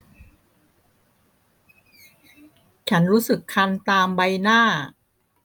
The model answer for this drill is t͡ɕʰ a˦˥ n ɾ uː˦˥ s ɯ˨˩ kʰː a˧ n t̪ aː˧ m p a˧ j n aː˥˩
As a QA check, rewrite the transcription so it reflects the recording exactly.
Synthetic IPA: t͡ɕʰ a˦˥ n ɾ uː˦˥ s ɯ˨˩ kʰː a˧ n t̪ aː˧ m b a˧ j n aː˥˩